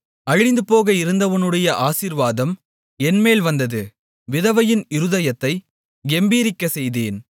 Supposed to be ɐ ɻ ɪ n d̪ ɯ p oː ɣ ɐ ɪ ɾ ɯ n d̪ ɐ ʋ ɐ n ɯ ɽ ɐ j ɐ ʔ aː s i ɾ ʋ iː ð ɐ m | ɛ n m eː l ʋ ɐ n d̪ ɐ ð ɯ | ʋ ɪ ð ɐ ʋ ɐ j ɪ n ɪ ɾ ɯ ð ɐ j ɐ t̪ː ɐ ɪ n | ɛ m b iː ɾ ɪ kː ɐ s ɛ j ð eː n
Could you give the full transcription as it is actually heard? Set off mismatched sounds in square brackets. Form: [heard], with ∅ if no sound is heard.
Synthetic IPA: ɐ ɻ ɪ n d̪ ɯ p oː ɣ ɐ ɪ ɾ ɯ n d̪ ɐ ʋ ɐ n ɯ ɽ ɐ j ɐ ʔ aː s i ɾ ʋ [aː] ð ɐ m | ɛ n m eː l ʋ ɐ n d̪ ɐ ð ɯ | ʋ ɪ ð ɐ ʋ ɐ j ɪ n ɪ ɾ ɯ ð ɐ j ɐ t̪ː ɐ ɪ [∅] | ɛ m b iː ɾ ɪ kː ɐ s ɛ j ð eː n

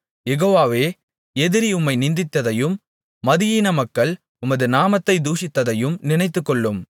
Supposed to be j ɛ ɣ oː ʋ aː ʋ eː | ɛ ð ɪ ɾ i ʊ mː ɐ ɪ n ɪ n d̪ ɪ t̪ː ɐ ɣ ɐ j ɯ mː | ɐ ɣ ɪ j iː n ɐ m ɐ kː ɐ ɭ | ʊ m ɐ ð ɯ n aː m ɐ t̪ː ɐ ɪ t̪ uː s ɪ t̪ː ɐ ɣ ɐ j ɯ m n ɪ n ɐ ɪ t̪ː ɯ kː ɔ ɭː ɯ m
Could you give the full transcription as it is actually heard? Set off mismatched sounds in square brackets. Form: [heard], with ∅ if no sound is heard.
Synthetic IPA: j ɛ ɣ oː ʋ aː ʋ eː | ɛ ð ɪ ɾ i ʊ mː ɐ ɪ n ɪ n d̪ ɪ t̪ː ɐ [ð] ɐ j ɯ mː | ɐ [ð] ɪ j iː n ɐ m ɐ kː ɐ ɭ | ʊ m ɐ ð ɯ n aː m ɐ t̪ː ɐ ɪ [d̪] uː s ɪ t̪ː ɐ [ð] ɐ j ɯ m n ɪ n ɐ ɪ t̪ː ɯ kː ɔ ɭː ɯ m

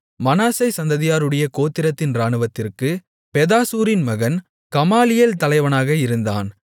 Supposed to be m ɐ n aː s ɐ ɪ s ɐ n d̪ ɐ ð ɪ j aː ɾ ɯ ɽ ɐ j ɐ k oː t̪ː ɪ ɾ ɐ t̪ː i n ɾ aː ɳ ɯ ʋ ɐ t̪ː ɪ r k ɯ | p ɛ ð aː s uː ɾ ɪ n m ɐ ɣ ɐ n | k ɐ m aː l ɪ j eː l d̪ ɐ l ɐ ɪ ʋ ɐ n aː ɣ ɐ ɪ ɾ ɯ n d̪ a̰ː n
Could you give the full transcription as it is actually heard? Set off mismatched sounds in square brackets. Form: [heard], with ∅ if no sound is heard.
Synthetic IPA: m ɐ n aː s ɐ ɪ s ɐ n d̪ ɐ ð ɪ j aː ɾ ɯ ɽ ɐ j ɐ k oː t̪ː ɪ ɾ ɐ t̪ː [ɪ] n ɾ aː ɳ ɯ ʋ ɐ t̪ː ɪ r k ɯ | p ɛ ð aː s uː ɾ ɪ n m ɐ ɣ ɐ n | k ɐ m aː l ɪ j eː l [t̪] ɐ l ɐ ɪ ʋ ɐ n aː ɣ ɐ ɪ ɾ ɯ n d̪ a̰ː n

